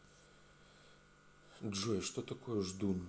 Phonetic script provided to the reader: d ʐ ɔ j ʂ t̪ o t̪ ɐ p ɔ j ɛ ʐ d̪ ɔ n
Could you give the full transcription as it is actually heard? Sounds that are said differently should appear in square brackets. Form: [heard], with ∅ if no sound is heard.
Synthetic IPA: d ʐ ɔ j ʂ t̪ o t̪ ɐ [k] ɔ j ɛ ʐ d̪ [u] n